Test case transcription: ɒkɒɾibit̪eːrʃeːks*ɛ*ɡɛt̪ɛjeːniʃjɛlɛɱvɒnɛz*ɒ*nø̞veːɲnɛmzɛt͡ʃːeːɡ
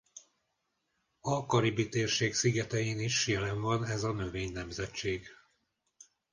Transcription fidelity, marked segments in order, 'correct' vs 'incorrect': incorrect: i, correct

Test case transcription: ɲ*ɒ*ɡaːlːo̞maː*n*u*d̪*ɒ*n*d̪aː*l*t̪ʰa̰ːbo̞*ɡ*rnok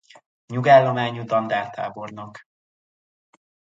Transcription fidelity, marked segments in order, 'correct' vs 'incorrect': incorrect: u, incorrect: ɲ, correct, correct, incorrect: r, incorrect: none

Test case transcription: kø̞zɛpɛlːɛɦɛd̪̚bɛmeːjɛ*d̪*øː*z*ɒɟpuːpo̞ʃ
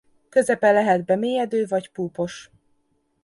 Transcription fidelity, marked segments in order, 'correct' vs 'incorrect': correct, incorrect: v

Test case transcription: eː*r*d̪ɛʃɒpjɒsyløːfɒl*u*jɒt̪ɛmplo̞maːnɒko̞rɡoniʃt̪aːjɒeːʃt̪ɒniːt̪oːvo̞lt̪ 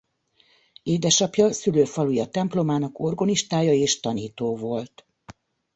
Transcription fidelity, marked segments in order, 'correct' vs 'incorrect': incorrect: none, correct

